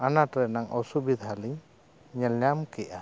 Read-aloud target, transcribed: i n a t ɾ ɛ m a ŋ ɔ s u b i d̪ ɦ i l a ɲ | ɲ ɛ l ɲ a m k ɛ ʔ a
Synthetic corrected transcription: a n a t ɾ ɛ n a ŋ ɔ s u b i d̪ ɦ a l i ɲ | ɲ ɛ l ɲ a m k ɛ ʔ a